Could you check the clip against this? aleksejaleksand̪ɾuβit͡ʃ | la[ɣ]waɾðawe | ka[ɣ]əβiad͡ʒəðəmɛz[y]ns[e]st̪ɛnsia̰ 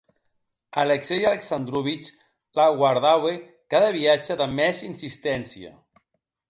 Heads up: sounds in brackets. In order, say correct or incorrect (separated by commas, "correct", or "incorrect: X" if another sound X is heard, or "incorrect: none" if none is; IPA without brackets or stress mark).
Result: correct, incorrect: ð, incorrect: i, incorrect: i